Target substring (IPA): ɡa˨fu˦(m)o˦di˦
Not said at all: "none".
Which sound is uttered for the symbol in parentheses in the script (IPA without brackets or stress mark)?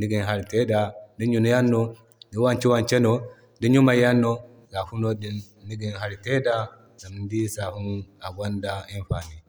n